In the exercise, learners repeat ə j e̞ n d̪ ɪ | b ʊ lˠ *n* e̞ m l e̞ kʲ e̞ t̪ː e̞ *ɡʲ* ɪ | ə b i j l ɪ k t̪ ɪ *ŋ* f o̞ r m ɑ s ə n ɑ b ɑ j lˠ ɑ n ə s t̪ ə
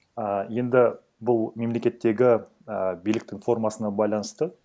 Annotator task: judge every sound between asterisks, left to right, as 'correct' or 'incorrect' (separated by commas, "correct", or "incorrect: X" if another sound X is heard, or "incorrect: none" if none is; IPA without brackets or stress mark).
incorrect: m, correct, correct